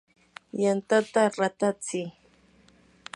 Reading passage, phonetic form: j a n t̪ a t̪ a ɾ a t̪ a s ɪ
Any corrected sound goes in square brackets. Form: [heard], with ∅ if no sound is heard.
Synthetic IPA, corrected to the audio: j a n t̪ a t̪ a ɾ a t̪ a [t͡s] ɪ